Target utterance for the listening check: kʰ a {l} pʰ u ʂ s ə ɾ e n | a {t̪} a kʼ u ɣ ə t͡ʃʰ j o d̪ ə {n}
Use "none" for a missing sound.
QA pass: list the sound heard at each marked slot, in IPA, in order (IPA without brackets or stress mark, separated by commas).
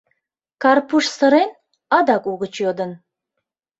r, d̪, n